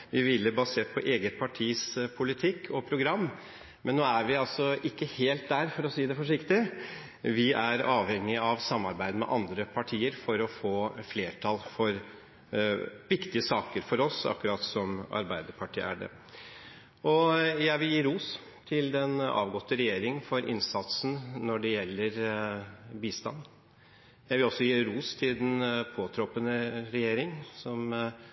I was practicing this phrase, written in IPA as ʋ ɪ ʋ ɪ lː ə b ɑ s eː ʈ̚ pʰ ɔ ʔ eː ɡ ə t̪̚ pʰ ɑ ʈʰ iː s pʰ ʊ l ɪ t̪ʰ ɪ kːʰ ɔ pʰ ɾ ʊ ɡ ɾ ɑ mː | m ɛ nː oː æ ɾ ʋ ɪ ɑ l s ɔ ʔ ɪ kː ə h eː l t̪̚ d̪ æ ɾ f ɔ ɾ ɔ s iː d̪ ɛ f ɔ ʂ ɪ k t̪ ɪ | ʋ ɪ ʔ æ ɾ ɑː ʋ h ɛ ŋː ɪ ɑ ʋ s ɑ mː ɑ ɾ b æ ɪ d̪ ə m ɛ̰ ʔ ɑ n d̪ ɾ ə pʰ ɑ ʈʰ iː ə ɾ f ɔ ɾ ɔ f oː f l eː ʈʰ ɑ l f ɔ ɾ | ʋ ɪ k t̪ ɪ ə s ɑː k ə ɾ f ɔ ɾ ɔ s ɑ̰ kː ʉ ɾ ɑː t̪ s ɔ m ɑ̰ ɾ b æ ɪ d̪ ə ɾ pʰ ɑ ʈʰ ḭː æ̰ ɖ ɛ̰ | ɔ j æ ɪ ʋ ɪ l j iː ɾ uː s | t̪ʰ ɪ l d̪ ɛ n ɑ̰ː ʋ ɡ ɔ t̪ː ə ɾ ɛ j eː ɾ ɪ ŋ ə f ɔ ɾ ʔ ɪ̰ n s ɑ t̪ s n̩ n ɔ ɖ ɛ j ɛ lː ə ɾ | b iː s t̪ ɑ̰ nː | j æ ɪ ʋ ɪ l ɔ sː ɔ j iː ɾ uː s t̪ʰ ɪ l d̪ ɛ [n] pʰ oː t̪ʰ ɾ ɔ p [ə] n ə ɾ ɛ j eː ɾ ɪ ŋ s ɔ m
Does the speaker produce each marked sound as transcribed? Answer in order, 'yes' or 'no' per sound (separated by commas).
yes, yes